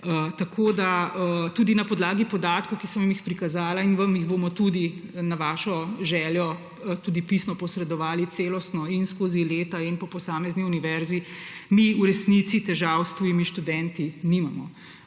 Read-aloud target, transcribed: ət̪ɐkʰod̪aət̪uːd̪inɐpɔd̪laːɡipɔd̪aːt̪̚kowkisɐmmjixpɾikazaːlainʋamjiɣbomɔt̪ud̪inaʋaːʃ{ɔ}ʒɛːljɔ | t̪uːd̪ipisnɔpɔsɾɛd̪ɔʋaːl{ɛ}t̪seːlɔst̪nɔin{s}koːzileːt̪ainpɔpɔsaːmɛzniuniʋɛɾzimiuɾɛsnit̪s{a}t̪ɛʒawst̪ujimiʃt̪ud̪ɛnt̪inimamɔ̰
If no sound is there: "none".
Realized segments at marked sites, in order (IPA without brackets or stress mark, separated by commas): ɔ, i, s, i